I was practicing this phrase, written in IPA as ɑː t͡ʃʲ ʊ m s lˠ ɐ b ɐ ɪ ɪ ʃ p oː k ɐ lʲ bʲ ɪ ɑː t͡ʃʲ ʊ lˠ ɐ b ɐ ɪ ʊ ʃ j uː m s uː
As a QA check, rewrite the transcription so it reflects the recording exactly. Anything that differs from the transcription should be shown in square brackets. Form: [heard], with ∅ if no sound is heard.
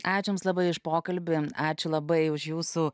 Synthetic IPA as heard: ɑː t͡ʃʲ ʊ m s lˠ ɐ b ɐ ɪ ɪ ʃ p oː k ɐ lʲ bʲ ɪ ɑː t͡ʃʲ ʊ lˠ ɐ b ɐ ɪ ʊ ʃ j uː [∅] s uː